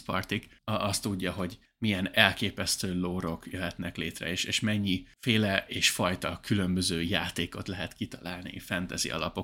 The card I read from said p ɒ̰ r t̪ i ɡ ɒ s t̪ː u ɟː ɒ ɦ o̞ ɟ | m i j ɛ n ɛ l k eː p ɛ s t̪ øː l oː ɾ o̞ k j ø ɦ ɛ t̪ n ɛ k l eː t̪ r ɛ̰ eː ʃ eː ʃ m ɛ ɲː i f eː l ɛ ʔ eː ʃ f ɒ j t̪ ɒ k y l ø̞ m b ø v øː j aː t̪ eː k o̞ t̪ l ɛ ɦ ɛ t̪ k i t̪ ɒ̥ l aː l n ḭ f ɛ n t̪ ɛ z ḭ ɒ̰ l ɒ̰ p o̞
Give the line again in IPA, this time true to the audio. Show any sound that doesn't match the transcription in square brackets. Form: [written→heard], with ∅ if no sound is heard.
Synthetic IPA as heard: p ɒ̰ r t̪ i [ɡ→k] ɒ s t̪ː u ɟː ɒ ɦ o̞ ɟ | m i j ɛ n ɛ l k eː p ɛ s t̪ øː l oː ɾ o̞ k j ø ɦ ɛ t̪ n ɛ k l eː t̪ r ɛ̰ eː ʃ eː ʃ m ɛ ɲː i f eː l ɛ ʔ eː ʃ f ɒ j t̪ ɒ k y l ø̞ m b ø [v→z] øː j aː t̪ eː k o̞ t̪ l ɛ ɦ ɛ t̪ k i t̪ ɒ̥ l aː l n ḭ f ɛ n t̪ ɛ z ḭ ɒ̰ l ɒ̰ p o̞